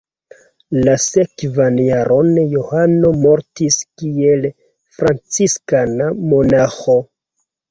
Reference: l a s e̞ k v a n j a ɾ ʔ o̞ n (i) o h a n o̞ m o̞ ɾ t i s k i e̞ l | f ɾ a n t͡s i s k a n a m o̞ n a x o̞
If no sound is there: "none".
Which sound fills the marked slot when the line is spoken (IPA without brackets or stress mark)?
j